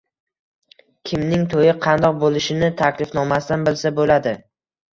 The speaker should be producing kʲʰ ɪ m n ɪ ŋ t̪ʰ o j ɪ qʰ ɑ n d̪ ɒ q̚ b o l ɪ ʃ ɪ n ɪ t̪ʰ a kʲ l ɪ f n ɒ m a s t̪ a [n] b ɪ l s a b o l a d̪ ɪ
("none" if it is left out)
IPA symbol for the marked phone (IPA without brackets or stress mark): n